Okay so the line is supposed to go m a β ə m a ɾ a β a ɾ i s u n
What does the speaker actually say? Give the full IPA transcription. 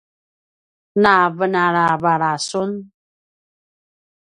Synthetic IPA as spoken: n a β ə n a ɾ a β a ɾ a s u n